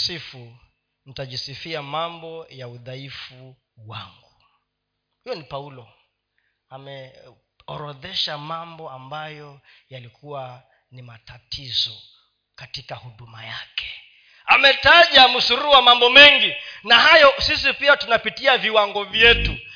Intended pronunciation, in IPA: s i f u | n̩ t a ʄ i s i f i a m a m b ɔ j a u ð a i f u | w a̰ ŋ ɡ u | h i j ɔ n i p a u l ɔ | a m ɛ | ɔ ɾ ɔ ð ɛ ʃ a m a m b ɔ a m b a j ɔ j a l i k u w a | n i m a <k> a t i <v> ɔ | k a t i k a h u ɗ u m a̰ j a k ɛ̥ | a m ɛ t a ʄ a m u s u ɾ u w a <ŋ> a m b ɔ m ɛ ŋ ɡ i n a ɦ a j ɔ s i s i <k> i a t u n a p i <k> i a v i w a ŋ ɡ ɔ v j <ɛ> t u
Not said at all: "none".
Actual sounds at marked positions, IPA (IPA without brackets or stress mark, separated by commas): t, z, m, p, t, ɛ